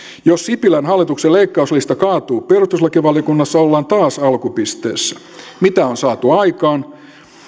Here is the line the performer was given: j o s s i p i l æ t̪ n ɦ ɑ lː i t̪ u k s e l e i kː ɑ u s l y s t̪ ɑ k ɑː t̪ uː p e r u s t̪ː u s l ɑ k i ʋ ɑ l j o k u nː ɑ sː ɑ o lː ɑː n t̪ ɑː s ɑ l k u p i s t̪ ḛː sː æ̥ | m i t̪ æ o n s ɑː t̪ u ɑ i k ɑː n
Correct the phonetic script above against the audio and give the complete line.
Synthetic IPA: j o s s i p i l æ n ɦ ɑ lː i t̪ u k s e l e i kː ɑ u s l i s t̪ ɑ k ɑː t̪ uː p e r u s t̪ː u s l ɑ k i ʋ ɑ l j o k u nː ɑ sː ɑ o lː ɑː n t̪ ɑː s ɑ l k u p i s t̪ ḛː sː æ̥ | m i t̪ æ o n s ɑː t̪ u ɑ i k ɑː n